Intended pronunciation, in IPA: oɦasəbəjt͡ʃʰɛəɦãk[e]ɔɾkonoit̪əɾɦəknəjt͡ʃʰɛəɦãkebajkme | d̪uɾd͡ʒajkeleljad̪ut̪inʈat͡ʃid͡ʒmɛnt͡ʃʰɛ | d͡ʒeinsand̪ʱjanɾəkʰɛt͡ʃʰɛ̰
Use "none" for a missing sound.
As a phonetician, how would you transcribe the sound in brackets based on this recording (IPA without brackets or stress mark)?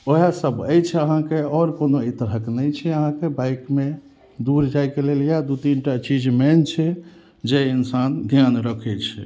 e